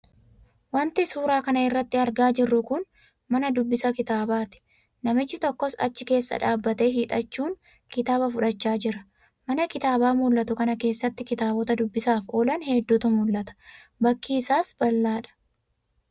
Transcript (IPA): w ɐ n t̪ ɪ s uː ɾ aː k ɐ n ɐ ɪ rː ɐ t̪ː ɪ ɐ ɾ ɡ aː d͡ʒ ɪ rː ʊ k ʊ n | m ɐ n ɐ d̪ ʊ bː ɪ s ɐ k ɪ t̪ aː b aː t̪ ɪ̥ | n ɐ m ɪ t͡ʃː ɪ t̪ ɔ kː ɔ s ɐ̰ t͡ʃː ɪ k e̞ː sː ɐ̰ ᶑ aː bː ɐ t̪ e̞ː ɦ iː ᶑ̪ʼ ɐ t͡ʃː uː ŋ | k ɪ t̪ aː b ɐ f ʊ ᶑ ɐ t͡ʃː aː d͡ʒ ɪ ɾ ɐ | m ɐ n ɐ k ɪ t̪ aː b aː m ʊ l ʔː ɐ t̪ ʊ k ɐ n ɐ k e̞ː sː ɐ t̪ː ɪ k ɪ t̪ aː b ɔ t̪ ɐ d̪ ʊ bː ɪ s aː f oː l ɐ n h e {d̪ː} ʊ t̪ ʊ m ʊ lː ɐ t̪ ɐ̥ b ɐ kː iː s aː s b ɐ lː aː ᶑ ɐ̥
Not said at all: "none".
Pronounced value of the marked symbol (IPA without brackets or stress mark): d̪ː